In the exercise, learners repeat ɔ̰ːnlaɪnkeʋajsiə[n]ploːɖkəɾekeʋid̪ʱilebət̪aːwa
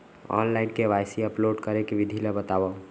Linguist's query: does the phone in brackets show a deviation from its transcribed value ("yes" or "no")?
yes